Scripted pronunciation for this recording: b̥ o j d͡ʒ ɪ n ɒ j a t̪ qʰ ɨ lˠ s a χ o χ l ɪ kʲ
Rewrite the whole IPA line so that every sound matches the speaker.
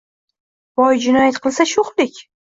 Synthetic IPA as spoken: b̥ ɒ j d͡ʒ ɪ n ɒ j a t̪ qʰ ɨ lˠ s a ʃ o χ l ɪ kʲ